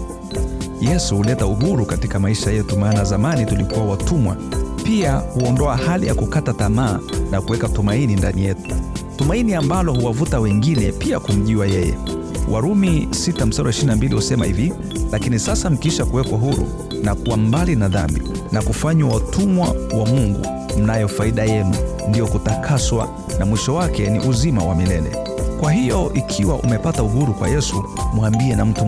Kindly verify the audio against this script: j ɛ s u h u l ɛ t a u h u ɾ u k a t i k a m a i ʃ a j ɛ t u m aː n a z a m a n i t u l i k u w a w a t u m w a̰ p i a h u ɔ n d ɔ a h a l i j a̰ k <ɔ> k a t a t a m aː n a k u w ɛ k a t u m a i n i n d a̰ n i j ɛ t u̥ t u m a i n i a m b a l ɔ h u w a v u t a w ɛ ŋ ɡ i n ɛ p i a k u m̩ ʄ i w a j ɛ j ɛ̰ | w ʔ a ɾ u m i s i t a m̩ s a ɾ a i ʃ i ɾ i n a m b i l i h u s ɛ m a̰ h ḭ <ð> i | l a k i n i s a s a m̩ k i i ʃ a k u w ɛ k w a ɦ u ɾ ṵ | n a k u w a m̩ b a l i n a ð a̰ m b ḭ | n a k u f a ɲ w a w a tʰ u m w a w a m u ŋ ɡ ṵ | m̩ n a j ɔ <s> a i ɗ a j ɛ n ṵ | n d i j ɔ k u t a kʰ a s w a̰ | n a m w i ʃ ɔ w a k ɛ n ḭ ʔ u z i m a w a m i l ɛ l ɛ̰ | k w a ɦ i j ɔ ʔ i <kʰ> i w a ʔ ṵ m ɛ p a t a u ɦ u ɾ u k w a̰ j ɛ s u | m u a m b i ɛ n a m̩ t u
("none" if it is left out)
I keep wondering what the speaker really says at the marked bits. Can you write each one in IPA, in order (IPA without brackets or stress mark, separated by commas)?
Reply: u, v, f, kʰ